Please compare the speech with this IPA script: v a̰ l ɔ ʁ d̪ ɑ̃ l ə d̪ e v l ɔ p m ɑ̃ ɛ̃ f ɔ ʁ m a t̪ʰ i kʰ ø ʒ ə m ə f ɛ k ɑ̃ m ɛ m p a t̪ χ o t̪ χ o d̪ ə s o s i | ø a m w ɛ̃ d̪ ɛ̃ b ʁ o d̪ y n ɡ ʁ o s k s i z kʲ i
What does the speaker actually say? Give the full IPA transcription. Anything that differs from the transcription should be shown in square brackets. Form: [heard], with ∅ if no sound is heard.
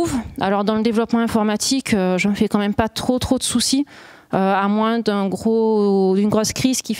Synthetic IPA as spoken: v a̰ l ɔ ʁ d̪ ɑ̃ l ə d̪ e v l ɔ p m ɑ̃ ɛ̃ f ɔ ʁ m a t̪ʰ i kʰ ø ʒ ə m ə f ɛ k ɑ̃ m ɛ m p a t̪ χ o t̪ χ o d̪ ə s [u] s i | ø a m w ɛ̃ d̪ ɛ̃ [ɡ] ʁ o d̪ y n ɡ ʁ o s k [χ] i z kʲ i

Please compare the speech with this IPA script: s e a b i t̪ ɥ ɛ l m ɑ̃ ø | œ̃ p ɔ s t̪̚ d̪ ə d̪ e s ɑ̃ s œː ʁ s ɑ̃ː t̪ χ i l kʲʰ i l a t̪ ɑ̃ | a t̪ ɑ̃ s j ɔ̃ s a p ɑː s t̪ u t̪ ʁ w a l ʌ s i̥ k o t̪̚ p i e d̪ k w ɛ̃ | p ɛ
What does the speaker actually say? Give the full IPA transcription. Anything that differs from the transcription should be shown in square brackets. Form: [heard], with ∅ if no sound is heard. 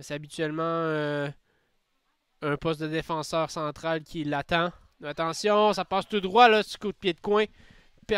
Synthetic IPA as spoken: s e a b i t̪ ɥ ɛ l m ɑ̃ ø | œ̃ p ɔ s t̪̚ d̪ ə d̪ e [f] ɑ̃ s œː ʁ s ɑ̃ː t̪ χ [a] l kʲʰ i l a t̪ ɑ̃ | a t̪ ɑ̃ s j ɔ̃ s a p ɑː s t̪ u [d̪] ʁ w a l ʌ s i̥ k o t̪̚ p [j] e d̪ k w ɛ̃ | p ɛ

